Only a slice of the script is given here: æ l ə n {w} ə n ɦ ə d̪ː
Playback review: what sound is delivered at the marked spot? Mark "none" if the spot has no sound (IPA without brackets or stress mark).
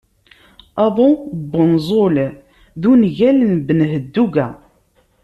b